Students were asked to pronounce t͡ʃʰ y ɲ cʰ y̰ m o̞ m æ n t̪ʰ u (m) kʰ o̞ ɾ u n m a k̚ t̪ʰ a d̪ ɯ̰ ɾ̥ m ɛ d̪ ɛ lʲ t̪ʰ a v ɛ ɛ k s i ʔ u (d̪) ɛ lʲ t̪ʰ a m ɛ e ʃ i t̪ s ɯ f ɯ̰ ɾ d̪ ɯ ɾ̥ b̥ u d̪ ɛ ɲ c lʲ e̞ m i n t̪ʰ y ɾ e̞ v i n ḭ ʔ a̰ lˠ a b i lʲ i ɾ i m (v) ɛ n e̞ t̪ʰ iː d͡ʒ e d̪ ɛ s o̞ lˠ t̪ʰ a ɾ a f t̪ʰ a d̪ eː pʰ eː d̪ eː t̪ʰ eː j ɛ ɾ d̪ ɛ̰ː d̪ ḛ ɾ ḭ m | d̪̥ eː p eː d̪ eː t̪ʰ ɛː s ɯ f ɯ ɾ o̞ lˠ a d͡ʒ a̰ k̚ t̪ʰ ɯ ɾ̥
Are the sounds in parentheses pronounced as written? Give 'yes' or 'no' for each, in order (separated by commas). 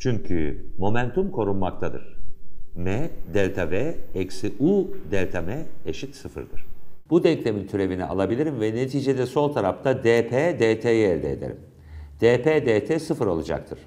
yes, yes, yes